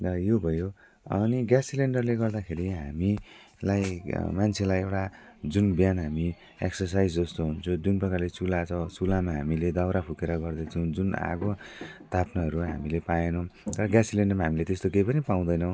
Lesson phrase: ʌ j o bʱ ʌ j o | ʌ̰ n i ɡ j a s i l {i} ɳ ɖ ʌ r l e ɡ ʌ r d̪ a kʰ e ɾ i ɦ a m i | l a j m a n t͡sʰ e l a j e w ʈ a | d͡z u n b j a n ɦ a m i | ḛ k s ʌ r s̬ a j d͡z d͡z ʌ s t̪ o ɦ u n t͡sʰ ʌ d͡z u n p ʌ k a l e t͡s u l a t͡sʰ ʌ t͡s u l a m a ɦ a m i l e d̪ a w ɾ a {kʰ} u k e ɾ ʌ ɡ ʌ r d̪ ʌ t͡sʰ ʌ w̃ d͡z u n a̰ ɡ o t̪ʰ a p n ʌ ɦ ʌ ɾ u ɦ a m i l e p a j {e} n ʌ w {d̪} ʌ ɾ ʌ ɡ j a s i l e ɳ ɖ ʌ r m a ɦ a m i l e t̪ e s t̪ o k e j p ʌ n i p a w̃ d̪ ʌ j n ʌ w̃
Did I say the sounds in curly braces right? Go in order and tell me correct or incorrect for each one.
incorrect, incorrect, correct, incorrect

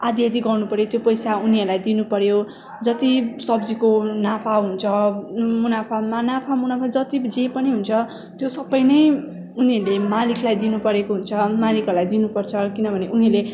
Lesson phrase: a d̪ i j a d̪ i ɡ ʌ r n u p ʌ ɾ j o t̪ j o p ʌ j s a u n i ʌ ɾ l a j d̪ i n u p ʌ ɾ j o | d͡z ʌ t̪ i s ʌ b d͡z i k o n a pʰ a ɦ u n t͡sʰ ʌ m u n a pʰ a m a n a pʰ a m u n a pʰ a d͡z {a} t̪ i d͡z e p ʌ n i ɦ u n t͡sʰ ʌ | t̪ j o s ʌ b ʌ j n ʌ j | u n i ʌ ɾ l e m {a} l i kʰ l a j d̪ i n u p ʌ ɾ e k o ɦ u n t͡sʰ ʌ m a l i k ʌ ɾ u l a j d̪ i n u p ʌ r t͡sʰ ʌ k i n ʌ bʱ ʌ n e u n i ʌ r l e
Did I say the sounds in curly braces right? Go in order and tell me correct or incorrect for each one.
incorrect, correct

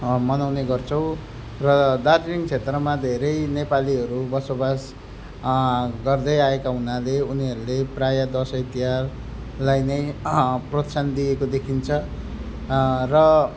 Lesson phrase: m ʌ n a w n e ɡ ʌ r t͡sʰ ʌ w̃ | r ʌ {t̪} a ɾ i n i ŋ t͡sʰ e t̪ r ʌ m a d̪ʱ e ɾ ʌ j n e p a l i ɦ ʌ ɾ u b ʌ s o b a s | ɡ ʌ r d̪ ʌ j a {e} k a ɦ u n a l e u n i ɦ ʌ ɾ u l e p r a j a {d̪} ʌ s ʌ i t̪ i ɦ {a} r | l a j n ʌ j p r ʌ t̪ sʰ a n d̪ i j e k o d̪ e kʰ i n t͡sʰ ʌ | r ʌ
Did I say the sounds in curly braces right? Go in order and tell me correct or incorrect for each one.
incorrect, correct, correct, correct

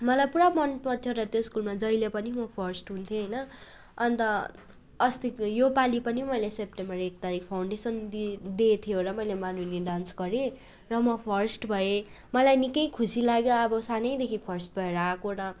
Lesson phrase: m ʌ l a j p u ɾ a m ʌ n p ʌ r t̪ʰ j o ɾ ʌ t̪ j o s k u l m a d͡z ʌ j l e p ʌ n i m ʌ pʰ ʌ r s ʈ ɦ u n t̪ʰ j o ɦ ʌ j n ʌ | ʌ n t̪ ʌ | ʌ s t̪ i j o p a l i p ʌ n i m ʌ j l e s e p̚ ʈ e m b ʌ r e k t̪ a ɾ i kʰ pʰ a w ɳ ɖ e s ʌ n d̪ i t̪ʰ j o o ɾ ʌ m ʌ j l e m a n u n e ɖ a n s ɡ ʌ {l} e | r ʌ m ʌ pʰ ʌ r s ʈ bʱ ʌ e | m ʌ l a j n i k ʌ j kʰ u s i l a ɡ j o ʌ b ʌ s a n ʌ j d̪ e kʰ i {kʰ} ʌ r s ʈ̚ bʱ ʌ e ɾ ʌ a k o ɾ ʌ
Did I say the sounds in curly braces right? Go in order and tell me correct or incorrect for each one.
incorrect, incorrect

